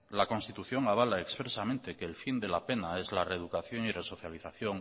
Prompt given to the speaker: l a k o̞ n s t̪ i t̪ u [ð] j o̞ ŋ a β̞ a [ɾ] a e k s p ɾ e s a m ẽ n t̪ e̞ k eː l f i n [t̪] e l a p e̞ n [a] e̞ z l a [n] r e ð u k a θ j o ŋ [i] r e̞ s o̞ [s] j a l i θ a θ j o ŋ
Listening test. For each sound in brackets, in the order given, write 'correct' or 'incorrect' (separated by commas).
incorrect, incorrect, incorrect, correct, incorrect, correct, incorrect